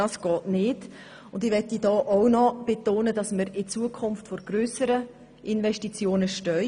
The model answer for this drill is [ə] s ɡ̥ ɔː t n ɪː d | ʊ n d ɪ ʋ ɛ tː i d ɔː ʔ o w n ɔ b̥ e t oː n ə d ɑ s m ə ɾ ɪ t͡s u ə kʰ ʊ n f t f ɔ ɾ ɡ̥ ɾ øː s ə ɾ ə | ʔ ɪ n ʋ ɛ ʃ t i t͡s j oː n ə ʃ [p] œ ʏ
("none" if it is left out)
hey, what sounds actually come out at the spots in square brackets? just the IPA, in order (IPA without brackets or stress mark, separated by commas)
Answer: ɑ, t